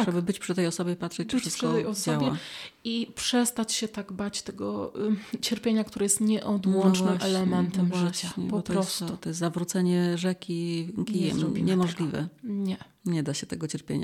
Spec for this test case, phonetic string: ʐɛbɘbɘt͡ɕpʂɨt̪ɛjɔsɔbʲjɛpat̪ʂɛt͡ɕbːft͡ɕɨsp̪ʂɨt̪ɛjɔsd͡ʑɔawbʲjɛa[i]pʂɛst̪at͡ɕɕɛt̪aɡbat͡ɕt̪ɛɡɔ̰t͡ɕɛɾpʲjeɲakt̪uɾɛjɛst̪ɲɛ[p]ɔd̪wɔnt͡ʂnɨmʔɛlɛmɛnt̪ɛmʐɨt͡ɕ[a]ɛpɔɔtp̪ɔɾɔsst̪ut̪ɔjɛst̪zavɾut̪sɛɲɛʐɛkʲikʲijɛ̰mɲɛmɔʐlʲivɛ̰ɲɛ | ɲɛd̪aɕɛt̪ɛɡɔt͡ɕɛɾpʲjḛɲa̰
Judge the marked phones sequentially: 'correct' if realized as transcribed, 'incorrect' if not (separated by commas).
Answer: correct, incorrect, correct